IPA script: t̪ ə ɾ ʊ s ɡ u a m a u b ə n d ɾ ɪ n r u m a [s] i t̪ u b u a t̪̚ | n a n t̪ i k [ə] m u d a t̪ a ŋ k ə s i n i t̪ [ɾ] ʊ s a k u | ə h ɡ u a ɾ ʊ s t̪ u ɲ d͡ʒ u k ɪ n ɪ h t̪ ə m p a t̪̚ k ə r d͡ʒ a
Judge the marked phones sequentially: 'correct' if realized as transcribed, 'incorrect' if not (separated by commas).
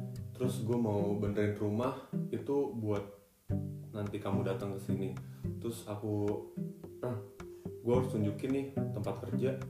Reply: incorrect, incorrect, correct